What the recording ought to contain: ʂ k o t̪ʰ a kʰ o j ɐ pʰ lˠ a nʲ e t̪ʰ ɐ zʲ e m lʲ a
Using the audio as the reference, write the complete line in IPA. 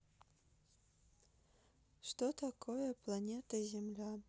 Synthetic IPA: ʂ t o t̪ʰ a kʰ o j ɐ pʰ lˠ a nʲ e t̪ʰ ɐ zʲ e m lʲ a